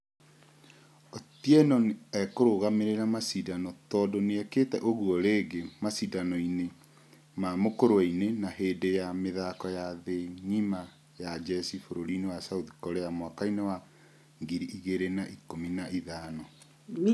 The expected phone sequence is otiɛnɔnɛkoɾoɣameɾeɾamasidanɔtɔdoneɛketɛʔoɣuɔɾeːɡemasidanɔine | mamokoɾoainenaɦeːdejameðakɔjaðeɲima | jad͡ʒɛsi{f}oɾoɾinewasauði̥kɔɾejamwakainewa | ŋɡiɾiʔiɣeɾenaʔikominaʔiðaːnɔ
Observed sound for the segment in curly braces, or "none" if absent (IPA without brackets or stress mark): f